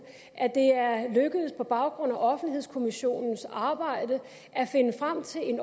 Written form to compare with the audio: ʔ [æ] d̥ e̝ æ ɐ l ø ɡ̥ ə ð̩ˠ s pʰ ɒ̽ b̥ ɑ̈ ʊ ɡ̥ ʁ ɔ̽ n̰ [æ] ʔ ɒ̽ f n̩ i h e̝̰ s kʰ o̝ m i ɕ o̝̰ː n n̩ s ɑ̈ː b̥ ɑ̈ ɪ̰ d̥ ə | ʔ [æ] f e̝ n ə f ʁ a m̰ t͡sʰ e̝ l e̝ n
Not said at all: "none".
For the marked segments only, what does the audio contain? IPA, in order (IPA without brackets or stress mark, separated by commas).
æ, æ, æ